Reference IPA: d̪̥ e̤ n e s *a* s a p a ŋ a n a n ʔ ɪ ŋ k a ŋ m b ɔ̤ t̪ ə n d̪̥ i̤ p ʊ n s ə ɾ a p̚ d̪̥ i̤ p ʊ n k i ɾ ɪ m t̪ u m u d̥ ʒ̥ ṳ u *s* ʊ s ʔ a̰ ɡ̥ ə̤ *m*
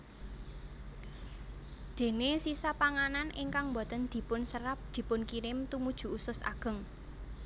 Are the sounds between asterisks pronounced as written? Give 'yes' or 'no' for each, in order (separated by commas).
no, yes, no